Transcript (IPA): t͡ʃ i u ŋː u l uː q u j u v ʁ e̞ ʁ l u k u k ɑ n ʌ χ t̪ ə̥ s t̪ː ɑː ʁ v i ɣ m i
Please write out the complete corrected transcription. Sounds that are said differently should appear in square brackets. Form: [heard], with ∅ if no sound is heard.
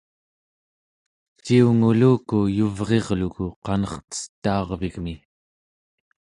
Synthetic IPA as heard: t͡ʃ i u [ŋ] u l uː [k] u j u v ʁ e̞ ʁ l u k u [q] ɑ n ʌ χ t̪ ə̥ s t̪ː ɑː ʁ v i ɣ m i